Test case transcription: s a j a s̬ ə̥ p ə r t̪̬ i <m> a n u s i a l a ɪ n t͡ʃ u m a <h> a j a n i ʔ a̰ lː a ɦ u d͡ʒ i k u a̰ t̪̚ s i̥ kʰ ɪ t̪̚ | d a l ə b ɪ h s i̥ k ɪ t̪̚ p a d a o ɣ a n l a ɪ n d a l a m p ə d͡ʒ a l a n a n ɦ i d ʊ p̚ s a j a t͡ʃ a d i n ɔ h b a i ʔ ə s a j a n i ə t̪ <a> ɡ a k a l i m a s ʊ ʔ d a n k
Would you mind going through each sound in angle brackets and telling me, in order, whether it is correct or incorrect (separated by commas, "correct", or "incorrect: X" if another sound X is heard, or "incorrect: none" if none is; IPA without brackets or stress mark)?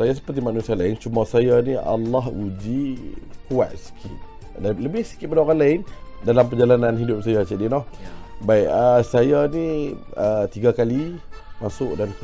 correct, incorrect: s, incorrect: i